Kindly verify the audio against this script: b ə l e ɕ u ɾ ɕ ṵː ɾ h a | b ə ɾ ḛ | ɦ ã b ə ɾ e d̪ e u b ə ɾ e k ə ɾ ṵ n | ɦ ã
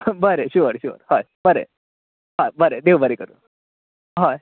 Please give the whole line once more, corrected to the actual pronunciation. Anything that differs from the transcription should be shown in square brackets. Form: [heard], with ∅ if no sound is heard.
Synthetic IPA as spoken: b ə [ɾ] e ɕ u ɾ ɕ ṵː ɾ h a | b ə ɾ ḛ | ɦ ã b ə ɾ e d̪ e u b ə ɾ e k ə ɾ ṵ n | ɦ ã